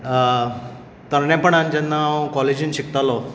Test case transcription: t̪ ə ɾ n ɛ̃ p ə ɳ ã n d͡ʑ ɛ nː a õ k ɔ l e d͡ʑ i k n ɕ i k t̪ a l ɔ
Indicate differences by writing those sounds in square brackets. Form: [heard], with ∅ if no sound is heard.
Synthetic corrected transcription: t̪ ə ɾ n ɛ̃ p ə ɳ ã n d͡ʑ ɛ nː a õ k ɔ l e d͡ʑ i [∅] n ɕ i k t̪ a l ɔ